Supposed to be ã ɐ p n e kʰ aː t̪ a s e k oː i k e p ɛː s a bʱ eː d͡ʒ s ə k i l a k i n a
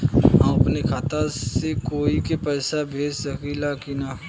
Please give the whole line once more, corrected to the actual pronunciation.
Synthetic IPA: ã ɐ p n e kʰ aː t̪ a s e k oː i k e p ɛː s a bʱ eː d͡ʒ s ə k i l a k i n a